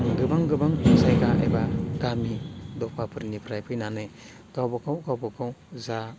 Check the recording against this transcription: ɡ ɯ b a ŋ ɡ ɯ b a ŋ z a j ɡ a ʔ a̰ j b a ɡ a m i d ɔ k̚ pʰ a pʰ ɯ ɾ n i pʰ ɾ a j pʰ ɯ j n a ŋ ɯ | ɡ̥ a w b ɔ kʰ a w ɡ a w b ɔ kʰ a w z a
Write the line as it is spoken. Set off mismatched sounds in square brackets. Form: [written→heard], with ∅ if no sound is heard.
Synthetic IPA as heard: ɡ ɯ b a ŋ ɡ ɯ b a ŋ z a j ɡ a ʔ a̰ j b a ɡ a m i d ɔ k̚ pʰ a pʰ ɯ ɾ n i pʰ ɾ a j pʰ ɯ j n a [ŋ→n] ɯ | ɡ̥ a w b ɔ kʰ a w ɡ a w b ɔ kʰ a w z a